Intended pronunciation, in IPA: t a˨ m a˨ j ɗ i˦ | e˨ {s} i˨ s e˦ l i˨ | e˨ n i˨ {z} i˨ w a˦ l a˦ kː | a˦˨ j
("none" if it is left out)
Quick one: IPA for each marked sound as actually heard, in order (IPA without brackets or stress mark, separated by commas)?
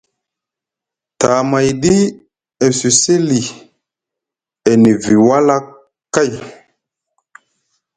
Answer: s, v